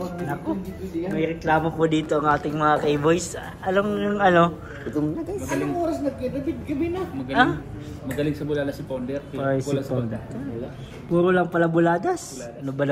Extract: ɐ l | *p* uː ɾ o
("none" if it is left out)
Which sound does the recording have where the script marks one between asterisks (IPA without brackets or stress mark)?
p